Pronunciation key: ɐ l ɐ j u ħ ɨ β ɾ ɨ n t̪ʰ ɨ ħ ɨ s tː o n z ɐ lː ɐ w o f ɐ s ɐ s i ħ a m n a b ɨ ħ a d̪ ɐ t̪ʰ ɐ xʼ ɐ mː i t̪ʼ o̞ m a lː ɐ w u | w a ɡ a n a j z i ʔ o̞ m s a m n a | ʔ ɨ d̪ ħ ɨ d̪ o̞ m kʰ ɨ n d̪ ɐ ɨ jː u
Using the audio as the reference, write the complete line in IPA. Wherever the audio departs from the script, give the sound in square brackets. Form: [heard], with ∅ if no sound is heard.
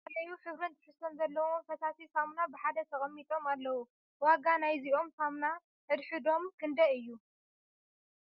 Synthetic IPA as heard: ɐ l ɐ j u ħ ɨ β ɾ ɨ n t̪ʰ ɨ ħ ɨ s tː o n z ɐ lː ɐ w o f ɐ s [a] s i [s] a m n a b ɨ ħ a d̪ ɐ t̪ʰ ɐ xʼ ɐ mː i t̪ʼ o̞ m a lː ɐ w u | w a ɡ a n a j z i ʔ o̞ m s a m n a | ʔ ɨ d̪ ħ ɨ d̪ o̞ m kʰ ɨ n d̪ ɐ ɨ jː u